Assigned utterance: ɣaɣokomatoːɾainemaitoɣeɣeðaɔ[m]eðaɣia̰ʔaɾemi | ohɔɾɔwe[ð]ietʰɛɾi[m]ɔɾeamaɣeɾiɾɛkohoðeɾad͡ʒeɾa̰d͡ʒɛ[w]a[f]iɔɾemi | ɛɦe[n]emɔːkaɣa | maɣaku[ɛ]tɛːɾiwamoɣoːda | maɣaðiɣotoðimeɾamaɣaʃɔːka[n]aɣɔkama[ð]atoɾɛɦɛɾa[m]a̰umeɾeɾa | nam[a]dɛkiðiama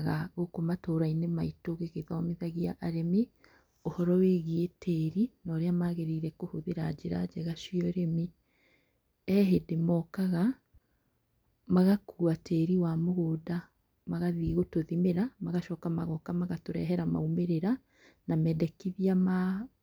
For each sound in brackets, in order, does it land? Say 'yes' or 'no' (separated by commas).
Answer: yes, no, no, no, no, no, no, no, no, yes, no